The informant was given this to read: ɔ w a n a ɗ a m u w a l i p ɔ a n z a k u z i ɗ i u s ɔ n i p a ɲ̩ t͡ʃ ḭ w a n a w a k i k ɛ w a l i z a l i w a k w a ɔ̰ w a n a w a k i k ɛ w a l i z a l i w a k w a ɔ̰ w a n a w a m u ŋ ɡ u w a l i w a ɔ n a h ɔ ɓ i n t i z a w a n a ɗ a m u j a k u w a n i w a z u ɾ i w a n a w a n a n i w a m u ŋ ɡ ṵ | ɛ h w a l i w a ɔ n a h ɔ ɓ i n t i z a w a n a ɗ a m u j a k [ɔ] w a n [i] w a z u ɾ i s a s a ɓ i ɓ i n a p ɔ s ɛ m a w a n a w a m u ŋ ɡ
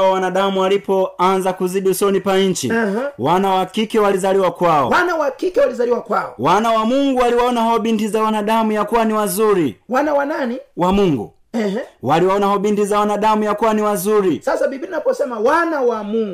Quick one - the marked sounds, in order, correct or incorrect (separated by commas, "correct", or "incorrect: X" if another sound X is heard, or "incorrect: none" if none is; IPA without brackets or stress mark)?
incorrect: u, correct